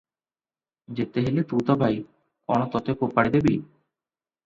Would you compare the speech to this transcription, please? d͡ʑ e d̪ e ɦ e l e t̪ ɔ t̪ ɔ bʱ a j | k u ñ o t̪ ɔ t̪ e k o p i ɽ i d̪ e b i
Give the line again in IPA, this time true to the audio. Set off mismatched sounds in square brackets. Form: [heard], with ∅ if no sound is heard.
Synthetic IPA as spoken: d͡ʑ e [t̪] e ɦ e l e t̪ [u] t̪ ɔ bʱ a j | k [ɔ] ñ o t̪ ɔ t̪ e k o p [a] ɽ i d̪ e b i